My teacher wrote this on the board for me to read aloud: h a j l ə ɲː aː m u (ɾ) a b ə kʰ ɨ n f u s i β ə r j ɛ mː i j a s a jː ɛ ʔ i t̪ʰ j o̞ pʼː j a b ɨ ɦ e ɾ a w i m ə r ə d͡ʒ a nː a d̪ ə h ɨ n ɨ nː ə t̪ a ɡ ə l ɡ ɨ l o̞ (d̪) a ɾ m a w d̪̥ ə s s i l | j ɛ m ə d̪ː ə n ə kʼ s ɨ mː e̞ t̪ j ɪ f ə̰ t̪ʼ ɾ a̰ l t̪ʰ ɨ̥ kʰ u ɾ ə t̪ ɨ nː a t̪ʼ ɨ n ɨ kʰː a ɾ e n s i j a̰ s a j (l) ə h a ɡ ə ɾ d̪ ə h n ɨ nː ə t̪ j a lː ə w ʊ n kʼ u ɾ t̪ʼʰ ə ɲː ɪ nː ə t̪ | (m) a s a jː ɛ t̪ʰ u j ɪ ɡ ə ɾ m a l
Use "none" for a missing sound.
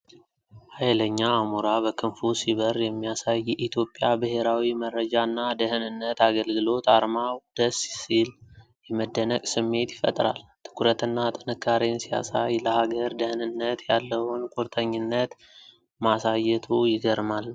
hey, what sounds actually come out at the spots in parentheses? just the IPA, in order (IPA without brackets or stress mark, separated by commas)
ɾ, t̪, l, m